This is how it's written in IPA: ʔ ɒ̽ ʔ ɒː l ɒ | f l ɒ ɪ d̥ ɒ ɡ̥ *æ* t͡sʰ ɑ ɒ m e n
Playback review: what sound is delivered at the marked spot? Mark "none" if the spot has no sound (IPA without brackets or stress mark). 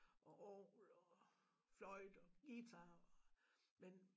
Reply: i